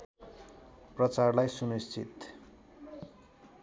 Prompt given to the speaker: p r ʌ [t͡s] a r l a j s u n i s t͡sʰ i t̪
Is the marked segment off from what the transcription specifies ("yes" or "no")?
no